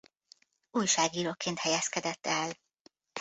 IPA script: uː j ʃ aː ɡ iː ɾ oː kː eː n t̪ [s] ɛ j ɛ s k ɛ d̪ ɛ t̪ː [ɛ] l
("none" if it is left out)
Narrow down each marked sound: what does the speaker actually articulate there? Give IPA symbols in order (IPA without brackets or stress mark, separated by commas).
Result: h, ɛ